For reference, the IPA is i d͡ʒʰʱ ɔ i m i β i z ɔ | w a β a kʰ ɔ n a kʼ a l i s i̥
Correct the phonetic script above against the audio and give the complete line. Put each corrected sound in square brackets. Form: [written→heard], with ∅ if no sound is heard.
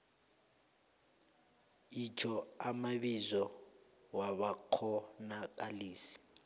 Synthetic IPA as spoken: i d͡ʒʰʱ ɔ [i→a] m [i→a] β i z ɔ | w a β a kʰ ɔ n a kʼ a l [i→iː] s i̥